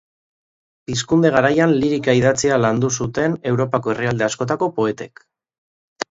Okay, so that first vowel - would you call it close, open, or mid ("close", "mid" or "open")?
close